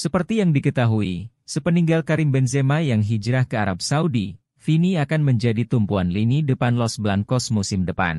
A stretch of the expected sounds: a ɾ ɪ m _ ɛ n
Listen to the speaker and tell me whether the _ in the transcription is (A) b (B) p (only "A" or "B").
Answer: A